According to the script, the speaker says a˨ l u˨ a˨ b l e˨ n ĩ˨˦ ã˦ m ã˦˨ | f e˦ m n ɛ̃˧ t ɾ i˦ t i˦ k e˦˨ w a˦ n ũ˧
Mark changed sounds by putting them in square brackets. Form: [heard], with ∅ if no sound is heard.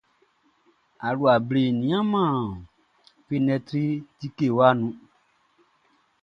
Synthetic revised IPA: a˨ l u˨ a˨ b l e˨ n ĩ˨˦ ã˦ m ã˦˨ | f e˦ [∅] n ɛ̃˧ t ɾ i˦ t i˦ k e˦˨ w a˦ n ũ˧